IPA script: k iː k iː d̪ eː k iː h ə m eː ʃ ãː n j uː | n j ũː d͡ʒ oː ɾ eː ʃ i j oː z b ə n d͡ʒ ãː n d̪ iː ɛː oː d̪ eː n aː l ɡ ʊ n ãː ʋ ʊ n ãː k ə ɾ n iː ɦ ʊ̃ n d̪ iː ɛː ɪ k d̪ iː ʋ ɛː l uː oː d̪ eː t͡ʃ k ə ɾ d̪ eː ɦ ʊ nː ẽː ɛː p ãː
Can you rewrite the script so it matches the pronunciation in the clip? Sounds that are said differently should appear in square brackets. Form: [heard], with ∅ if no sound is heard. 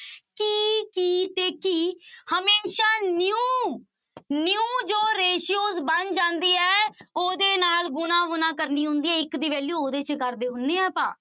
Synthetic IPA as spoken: k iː k iː [t̪] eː k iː h ə m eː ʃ [aː] n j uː | n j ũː d͡ʒ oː ɾ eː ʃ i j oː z b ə n d͡ʒ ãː n d̪ iː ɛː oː d̪ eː n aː l ɡ ʊ n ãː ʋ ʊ n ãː k ə ɾ n iː ɦ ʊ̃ n d̪ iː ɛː ɪ k d̪ iː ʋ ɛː l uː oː d̪ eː t͡ʃ k ə ɾ d̪ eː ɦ ʊ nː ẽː ɛː p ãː